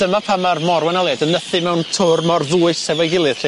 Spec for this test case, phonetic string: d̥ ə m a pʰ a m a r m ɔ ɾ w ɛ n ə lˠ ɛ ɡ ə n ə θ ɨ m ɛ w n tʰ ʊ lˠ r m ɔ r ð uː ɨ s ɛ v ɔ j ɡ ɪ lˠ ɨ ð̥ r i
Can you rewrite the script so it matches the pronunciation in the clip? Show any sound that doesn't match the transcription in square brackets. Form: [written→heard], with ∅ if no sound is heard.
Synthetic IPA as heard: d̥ ə m a pʰ a m a r m ɔ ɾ w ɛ n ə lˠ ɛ [ɡ→d] ə n ə θ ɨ m ɛ w n tʰ ʊ [lˠ→∅] r m ɔ r ð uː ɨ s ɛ v ɔ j ɡ ɪ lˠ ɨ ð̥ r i